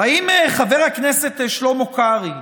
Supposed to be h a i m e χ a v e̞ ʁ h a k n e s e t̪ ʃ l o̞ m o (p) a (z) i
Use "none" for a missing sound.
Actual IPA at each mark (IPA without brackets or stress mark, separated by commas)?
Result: k, ʁ